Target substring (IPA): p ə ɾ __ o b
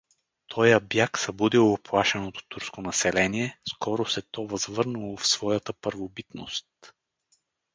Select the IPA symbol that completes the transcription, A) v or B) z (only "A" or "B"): A